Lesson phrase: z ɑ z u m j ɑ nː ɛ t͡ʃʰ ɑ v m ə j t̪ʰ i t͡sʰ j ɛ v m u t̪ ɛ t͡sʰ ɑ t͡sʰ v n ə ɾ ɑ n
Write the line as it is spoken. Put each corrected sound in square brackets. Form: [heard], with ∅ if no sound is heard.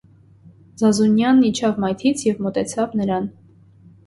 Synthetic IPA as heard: z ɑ z u [n] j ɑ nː [i] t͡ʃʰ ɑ v m [ɑ] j t̪ʰ i t͡sʰ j ɛ v m [ɔ] t̪ ɛ t͡sʰ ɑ [∅] v n ə ɾ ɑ n